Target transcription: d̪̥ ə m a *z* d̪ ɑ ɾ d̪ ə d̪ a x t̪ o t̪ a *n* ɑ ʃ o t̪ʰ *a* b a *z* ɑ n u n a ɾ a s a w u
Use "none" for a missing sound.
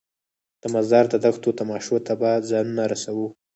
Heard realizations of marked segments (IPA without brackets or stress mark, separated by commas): z, m, a, z